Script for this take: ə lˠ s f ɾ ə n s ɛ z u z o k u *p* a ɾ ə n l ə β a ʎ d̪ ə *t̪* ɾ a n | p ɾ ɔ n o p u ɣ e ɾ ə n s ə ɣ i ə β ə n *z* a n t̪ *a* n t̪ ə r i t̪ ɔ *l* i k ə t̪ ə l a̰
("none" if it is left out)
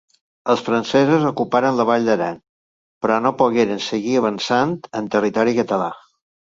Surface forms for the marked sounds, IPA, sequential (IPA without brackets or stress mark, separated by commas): p, none, s, ə, ɾ